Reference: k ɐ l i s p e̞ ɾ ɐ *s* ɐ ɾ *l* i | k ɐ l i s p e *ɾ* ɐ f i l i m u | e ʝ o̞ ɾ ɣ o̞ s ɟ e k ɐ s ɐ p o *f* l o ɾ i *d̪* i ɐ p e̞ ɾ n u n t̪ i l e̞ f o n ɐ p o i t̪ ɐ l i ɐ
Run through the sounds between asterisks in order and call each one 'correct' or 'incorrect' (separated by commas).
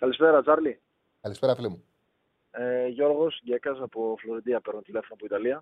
incorrect, correct, correct, correct, correct